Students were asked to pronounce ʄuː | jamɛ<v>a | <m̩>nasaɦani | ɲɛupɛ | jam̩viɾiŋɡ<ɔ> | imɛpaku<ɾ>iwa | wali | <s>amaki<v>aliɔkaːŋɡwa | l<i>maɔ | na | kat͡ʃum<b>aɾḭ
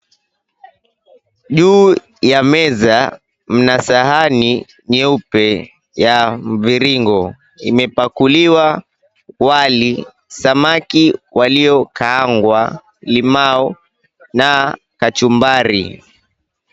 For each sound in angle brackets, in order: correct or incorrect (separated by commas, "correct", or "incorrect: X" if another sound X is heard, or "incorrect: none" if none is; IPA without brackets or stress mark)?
incorrect: z, correct, correct, incorrect: l, correct, incorrect: w, correct, correct